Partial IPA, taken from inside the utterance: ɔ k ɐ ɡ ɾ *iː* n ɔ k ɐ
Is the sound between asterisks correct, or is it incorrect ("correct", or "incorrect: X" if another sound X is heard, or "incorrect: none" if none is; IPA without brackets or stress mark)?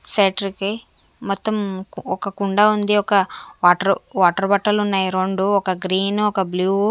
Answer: correct